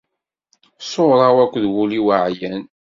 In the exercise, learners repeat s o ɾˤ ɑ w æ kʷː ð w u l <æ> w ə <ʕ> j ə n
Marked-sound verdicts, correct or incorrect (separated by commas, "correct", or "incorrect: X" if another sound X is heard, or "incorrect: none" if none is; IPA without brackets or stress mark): incorrect: i, correct